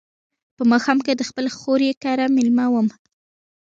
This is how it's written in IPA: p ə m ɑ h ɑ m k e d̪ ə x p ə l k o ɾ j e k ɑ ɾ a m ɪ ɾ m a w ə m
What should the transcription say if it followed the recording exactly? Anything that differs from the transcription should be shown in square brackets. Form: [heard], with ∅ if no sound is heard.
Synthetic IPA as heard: p ə m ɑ [x] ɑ m k e d̪ ə x p ə l [x] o ɾ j e k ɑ ɾ a m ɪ [l] m a w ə m

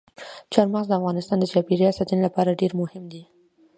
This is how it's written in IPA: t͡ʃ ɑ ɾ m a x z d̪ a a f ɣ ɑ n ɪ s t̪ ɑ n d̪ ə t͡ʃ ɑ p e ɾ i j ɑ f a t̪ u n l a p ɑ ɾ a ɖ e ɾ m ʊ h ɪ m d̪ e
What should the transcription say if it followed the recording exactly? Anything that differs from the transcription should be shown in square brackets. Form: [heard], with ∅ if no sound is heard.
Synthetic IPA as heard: t͡ʃ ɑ ɾ m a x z d̪ [ə] a f ɣ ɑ n ɪ s t̪ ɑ n d̪ ə t͡ʃ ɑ p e ɾ i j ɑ [s] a t̪ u n l a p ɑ ɾ a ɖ e ɾ m ʊ h ɪ m d̪ [i]

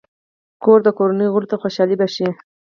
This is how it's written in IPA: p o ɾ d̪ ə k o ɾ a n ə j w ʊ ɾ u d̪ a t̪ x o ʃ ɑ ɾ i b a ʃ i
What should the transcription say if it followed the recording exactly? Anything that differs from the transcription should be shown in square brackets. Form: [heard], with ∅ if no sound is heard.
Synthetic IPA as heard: [k] o ɾ d̪ ə k o ɾ a n ə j [ɣ] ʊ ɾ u [t̪] a [∅] x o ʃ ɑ [l] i b a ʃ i

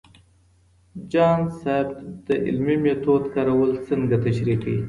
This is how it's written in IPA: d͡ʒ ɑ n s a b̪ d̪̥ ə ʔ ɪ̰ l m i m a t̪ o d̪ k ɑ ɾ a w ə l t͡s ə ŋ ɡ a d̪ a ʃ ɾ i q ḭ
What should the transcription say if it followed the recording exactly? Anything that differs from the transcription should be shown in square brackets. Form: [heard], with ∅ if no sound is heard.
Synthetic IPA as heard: d͡ʒ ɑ n s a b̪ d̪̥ ə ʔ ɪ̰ l m i m [e] t̪ o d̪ k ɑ ɾ a w ə l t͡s ə ŋ ɡ a [t̪] a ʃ ɾ i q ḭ

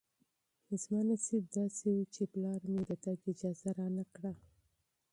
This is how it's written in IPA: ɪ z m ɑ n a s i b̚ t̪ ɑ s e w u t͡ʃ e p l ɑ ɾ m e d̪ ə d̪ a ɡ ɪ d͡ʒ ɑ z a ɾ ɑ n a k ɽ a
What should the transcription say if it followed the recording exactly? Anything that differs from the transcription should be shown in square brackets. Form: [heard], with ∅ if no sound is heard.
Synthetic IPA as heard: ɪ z m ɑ n a s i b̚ [d̪] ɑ s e w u t͡ʃ e p l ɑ ɾ m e d̪ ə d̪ a ɡ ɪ d͡ʒ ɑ z a ɾ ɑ n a k ɽ a

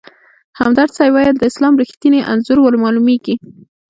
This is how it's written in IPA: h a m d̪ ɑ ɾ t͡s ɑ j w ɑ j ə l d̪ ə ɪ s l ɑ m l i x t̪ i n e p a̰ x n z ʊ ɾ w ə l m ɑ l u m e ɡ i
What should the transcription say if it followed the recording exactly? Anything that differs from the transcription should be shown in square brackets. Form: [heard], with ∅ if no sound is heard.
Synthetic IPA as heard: h a m d̪ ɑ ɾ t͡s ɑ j w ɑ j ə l d̪ ə ɪ s l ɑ m [ɾ] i x t̪ i n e [ʔ] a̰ [∅] n z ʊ ɾ w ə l m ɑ l u m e ɡ i

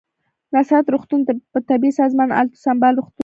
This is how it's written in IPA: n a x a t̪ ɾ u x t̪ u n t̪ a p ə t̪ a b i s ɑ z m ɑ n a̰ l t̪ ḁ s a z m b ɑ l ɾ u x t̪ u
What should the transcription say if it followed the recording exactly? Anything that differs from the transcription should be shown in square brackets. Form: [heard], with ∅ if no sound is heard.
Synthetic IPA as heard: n a [s] a t̪ ɾ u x t̪ u n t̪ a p ə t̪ a b i s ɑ z m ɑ n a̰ l t̪ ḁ s a [∅] m b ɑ l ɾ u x t̪ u

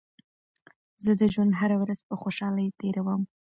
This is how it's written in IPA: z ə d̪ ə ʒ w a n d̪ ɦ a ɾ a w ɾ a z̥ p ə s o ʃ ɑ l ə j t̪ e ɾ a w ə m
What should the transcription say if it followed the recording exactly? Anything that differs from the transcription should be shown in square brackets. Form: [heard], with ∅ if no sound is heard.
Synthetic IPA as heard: z ə d̪ ə ʒ w a n d̪ ɦ a ɾ a w ɾ a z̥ p ə [x] o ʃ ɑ l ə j t̪ e ɾ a w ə m

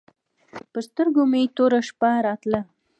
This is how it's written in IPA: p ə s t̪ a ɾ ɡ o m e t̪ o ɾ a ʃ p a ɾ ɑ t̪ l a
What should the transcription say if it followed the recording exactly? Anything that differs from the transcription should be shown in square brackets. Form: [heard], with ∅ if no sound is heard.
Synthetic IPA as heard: p ə s t̪ [ə] ɾ ɡ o m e t̪ o ɾ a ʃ p a ɾ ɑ t̪ l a

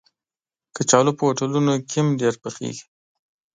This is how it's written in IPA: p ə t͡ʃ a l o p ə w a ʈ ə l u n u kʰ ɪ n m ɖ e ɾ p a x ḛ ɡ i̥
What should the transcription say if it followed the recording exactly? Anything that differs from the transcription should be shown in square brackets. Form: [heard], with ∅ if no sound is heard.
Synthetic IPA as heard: [k] ə t͡ʃ [ɑ] l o p ə w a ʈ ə l u n [o] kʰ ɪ [∅] m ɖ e ɾ p [ə] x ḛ ɡ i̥

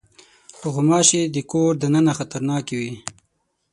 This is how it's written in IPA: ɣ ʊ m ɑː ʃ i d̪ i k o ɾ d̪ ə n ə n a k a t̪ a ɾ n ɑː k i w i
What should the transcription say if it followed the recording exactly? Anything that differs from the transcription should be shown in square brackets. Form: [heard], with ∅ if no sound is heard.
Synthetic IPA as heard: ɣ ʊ m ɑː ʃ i d̪ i k o ɾ d̪ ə n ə n a [x] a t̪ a ɾ n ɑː k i w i

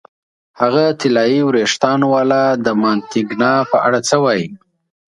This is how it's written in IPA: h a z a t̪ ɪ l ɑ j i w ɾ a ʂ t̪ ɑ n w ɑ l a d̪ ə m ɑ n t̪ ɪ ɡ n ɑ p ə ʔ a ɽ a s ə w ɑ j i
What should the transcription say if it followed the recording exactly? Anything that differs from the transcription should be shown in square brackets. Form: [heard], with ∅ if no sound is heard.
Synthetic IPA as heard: h a [ɣ] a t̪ ɪ l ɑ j i w ɾ [e] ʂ t̪ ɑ n w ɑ l a d̪ ə m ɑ n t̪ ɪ ɡ n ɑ p ə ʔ a ɽ a [t͡s] ə w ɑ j i

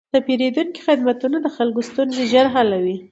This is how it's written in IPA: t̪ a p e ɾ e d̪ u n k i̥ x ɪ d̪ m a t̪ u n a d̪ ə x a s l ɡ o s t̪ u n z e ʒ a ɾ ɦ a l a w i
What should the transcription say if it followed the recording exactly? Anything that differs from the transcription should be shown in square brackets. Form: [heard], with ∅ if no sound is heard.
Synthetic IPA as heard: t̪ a p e ɾ e d̪ u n k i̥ x ɪ d̪ m a t̪ u n a d̪ ə x a [∅] l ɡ o s t̪ u n z e ʒ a ɾ ɦ a l a w i

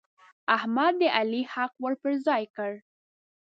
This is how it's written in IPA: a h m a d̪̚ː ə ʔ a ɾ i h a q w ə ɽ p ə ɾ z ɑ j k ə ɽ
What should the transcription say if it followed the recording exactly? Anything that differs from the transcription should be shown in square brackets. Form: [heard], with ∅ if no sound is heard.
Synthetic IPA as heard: a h m a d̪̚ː ə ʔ a [l] i h a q w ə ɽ p ə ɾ z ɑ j k ə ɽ

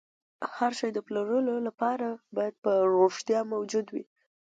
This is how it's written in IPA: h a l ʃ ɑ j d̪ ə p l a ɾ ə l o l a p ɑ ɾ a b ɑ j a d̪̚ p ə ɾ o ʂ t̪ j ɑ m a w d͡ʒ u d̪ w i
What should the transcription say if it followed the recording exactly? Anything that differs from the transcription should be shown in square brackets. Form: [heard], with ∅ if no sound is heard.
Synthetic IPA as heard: h a [ɾ] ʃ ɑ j d̪ ə p l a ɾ ə l o l a p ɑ ɾ a b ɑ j a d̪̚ p ə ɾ o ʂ t̪ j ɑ m a w d͡ʒ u d̪ w i

